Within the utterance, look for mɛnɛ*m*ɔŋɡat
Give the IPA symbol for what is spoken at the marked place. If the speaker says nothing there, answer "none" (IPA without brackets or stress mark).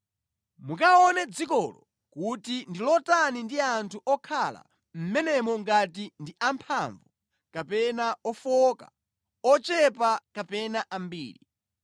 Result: m